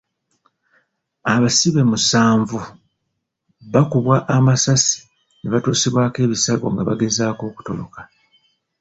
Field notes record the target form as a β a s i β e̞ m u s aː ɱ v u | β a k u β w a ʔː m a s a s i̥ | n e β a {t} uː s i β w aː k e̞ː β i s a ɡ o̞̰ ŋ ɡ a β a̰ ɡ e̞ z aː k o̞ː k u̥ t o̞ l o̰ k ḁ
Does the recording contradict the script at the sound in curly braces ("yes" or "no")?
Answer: no